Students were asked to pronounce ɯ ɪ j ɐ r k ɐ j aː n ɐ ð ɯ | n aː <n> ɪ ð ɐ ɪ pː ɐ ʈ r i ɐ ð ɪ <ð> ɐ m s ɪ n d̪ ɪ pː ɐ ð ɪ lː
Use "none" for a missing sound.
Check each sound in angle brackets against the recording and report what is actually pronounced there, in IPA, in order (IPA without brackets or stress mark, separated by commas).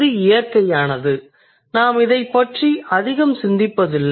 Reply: m, ɣ